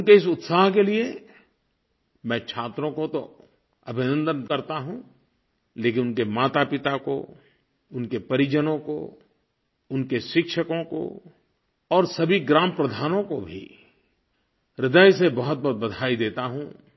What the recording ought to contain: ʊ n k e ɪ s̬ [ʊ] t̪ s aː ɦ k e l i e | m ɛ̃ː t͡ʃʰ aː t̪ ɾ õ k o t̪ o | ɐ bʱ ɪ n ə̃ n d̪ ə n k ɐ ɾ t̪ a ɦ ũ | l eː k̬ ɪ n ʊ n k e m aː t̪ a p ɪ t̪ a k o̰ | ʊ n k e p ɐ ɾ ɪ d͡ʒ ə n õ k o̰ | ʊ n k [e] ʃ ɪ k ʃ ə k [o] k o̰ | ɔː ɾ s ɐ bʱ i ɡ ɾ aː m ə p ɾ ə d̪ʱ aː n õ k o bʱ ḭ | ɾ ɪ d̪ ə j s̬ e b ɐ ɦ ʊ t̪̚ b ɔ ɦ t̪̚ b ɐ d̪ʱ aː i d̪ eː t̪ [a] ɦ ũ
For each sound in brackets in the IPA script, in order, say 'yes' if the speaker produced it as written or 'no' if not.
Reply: yes, yes, no, yes

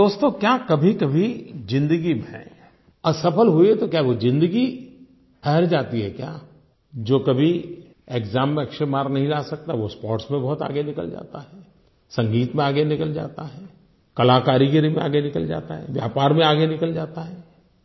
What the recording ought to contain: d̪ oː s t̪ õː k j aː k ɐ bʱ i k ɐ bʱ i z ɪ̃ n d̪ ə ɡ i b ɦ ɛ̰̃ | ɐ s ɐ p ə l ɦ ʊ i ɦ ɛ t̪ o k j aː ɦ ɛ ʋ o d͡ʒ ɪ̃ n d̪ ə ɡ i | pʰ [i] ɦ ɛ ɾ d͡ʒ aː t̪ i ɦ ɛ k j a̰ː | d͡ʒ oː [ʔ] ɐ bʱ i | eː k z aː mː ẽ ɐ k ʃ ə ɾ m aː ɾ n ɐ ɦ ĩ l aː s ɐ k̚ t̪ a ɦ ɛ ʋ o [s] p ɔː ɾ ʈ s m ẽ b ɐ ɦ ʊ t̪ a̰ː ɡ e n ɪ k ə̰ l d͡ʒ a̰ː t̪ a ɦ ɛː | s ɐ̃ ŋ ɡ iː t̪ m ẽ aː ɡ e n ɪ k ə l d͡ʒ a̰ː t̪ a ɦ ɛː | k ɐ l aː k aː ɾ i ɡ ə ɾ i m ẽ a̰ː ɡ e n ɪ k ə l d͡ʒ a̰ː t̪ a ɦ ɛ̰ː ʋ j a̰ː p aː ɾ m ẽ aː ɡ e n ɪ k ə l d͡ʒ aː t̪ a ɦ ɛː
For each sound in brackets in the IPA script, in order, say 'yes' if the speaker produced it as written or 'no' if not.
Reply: no, no, yes

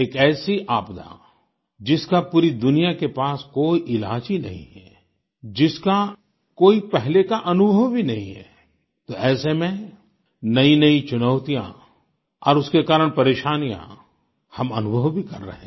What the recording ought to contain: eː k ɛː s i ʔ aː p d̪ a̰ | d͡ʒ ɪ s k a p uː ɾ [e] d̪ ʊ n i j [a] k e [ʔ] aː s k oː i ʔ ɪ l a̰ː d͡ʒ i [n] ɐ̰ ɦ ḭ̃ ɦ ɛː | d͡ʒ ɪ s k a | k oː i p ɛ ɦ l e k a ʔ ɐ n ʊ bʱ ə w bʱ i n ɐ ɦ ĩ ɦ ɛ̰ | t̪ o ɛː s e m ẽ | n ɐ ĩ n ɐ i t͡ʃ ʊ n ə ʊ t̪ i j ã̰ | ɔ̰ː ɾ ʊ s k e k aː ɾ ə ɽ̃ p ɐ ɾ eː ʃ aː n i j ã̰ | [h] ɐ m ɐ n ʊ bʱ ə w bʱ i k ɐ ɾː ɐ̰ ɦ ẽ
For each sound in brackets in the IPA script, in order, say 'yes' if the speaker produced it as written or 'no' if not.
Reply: no, yes, no, yes, yes

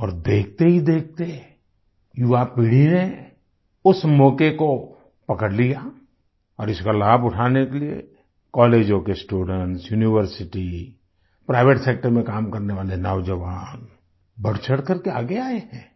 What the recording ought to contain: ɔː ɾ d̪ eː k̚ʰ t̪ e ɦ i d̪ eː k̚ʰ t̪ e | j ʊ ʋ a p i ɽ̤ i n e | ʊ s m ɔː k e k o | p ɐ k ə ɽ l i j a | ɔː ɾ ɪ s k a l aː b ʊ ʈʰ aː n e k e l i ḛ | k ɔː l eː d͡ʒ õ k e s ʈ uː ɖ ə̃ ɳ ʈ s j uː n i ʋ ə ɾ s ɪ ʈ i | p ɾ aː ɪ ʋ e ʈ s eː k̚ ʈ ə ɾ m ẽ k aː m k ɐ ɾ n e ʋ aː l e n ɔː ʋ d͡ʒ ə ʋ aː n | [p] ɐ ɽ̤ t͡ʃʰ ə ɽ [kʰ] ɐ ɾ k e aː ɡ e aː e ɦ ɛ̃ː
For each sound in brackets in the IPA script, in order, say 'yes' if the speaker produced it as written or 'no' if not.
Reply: no, no

